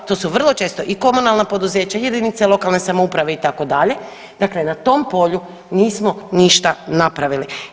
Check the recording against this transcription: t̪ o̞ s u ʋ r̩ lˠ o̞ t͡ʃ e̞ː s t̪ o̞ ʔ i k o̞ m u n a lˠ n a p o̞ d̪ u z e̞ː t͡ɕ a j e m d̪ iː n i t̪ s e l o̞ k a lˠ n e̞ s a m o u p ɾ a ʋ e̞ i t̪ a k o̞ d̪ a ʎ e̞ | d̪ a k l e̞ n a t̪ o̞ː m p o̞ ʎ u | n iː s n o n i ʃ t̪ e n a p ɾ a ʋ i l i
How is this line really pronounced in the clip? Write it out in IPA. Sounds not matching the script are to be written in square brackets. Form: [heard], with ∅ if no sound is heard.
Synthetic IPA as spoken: t̪ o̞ s u ʋ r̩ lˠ o̞ t͡ʃ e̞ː s t̪ o̞ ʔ i k o̞ m u n a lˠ n a p o̞ d̪ u z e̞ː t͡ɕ a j e [∅] d̪ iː n i t̪ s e l o̞ k a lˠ n e̞ s a m o u p ɾ a ʋ e̞ i t̪ a k o̞ d̪ a ʎ e̞ | d̪ a k l e̞ n a t̪ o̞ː m p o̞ ʎ u | n iː s [m] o n i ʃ t̪ [a] n a p ɾ a ʋ i l i